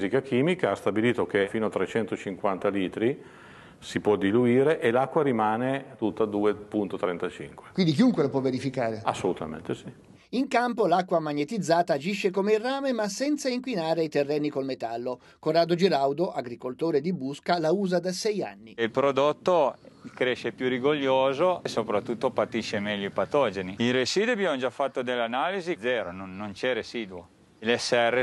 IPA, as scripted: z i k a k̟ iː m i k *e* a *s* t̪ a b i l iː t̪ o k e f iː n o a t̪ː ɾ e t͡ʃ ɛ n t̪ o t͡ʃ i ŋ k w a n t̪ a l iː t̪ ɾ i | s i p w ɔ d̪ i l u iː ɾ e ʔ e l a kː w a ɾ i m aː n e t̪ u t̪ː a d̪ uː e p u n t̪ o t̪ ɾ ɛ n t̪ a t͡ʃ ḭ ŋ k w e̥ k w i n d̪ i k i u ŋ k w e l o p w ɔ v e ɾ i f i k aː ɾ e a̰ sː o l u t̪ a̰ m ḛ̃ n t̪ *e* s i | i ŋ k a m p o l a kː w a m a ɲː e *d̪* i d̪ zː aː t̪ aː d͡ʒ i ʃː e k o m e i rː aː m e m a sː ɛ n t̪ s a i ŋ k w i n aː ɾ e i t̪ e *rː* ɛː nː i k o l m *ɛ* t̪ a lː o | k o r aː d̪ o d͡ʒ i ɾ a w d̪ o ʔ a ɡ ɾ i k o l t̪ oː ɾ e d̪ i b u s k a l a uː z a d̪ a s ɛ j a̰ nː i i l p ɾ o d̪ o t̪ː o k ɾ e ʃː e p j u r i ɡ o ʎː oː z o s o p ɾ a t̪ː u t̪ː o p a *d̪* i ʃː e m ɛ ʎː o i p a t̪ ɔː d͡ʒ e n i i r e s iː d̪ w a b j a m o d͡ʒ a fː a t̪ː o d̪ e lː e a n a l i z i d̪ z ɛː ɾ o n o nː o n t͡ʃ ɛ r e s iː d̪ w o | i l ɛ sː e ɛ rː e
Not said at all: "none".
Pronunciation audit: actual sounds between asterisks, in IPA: a, s, e, t̪, rː, e, t̪

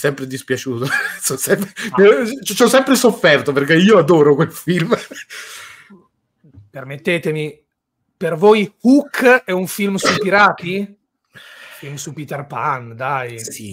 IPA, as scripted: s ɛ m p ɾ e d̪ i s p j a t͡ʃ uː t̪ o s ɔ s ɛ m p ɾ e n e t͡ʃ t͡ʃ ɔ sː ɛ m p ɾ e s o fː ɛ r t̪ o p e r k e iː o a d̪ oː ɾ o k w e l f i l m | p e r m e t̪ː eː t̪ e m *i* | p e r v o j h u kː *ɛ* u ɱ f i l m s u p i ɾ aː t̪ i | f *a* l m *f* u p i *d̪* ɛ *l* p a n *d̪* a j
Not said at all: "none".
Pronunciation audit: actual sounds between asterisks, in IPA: i, ɛ, i, s, t̪, r, d̪

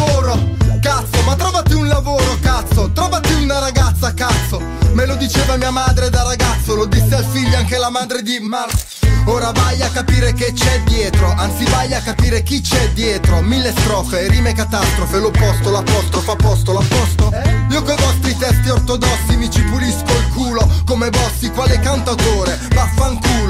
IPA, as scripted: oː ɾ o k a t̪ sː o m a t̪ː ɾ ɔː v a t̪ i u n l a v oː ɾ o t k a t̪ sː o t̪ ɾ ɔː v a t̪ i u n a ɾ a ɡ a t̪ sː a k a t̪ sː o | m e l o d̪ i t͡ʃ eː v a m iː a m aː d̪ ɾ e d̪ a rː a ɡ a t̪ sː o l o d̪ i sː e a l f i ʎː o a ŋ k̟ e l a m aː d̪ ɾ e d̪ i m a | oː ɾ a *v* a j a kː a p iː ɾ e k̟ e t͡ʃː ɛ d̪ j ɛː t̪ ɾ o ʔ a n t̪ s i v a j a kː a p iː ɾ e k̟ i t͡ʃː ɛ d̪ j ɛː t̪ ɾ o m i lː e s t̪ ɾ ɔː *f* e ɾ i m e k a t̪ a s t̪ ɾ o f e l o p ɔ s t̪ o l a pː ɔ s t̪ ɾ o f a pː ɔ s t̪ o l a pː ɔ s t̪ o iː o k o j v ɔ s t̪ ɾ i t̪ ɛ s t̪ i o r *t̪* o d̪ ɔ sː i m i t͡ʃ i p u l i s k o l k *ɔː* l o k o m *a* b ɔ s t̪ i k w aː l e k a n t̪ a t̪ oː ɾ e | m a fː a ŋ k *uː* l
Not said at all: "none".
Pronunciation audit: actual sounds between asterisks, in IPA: v, f, t̪, uː, e, uː

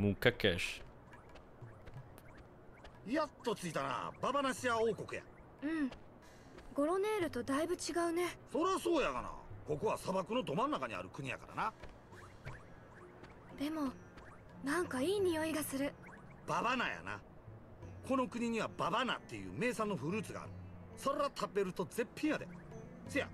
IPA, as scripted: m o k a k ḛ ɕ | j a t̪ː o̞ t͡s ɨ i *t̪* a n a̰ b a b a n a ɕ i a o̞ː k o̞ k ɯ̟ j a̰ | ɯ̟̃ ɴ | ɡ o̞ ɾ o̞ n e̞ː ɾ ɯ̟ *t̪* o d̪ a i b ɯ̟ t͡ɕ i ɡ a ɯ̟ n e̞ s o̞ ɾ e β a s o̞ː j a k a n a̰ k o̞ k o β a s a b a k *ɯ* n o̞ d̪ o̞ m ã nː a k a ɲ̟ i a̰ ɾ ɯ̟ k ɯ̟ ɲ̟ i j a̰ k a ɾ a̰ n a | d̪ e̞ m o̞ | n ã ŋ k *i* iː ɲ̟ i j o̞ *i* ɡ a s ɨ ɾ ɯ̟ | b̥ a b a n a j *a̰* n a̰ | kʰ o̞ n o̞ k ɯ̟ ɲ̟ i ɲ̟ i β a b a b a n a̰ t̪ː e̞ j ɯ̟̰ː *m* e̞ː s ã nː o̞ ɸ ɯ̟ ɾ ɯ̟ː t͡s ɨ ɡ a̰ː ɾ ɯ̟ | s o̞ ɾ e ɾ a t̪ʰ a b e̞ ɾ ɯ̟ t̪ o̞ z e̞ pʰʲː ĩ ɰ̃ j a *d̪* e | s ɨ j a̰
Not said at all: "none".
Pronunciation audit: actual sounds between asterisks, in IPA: t̪, t̪, ɯ, a, i, a̰, m, d̪

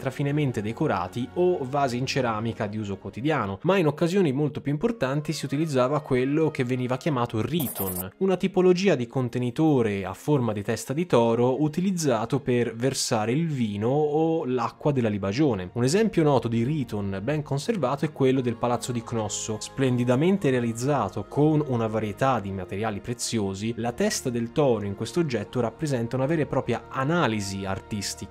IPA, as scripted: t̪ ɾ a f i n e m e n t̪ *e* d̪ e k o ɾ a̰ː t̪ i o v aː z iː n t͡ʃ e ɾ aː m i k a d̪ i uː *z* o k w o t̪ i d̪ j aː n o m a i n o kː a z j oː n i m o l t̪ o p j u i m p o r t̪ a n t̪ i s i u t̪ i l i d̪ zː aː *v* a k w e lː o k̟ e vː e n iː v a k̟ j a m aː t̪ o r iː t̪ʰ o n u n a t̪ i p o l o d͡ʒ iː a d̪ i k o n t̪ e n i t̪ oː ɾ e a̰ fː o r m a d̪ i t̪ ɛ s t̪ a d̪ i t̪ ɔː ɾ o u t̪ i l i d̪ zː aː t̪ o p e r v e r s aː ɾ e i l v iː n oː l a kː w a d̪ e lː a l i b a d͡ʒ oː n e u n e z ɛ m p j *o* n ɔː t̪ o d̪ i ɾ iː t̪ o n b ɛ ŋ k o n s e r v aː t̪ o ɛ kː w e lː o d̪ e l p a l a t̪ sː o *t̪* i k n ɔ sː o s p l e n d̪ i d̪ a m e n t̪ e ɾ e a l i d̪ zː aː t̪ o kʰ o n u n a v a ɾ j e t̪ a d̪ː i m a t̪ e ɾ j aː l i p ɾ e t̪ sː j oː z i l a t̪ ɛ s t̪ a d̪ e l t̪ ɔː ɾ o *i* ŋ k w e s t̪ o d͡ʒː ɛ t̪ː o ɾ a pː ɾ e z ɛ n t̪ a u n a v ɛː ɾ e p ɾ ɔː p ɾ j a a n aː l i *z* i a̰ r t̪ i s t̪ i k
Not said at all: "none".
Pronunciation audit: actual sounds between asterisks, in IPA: e, z, v, o, d̪, i, z

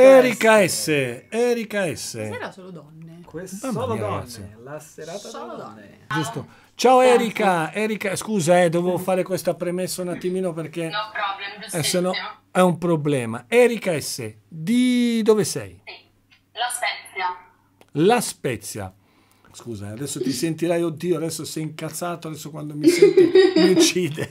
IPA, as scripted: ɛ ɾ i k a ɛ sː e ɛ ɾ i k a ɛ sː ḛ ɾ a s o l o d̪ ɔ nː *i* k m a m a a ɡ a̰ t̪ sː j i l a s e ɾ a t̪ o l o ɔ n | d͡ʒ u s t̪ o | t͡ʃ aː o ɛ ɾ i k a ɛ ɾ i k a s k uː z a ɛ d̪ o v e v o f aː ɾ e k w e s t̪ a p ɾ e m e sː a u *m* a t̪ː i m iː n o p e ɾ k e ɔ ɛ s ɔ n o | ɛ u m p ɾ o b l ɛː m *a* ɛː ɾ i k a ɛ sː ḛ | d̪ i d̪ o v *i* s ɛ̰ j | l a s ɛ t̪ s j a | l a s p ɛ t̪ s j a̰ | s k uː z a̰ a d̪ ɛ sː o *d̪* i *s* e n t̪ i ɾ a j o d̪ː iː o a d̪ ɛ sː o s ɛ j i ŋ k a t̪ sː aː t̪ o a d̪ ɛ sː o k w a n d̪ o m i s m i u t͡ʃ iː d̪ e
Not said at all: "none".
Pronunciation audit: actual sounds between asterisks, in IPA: e, n, a, e, t̪, s

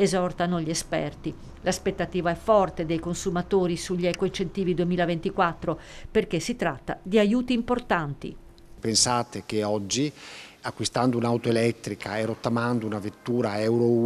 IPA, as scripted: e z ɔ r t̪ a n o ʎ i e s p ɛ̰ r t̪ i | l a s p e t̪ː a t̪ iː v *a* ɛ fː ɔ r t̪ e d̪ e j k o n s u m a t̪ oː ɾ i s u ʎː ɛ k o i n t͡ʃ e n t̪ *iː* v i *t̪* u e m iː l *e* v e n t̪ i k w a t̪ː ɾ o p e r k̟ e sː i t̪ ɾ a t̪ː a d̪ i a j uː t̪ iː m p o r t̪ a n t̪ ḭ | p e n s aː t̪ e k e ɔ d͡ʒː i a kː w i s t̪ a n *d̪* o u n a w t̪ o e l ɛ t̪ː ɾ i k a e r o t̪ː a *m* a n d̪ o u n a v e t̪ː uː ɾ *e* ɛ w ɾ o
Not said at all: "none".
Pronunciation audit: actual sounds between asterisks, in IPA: a, iː, d̪, a, d̪, m, a

